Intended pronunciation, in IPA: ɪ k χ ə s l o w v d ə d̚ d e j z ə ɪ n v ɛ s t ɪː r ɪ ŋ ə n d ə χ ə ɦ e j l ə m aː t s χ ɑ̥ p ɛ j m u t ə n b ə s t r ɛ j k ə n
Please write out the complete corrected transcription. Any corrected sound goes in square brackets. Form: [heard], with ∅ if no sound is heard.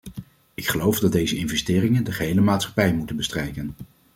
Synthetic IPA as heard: ɪ k χ ə [∅] l o w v d [ɑ] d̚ d e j z ə ɪ n v ɛ s t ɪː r ɪ ŋ ə n d ə χ ə ɦ e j l ə m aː t s χ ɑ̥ p ɛ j m u t ə n b ə s t r ɛ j k ə n